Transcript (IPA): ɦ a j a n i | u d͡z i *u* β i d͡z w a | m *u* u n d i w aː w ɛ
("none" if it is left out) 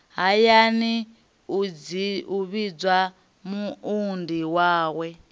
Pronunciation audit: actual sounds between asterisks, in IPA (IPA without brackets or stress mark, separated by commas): u, u